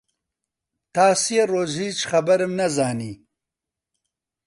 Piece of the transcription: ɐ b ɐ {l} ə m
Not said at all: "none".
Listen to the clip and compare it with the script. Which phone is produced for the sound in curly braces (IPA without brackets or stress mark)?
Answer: ɾ